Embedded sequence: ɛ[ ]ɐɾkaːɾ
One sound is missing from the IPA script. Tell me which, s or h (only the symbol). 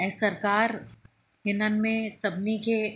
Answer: s